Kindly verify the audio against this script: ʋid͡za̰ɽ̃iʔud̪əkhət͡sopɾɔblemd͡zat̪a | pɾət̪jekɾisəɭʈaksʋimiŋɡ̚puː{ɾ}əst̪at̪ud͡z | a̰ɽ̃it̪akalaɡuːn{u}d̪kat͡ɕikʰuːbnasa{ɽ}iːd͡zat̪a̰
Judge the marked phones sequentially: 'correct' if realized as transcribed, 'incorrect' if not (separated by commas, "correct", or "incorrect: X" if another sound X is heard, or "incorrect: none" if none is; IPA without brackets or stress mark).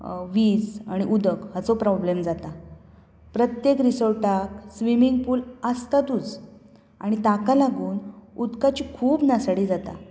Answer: incorrect: l, correct, correct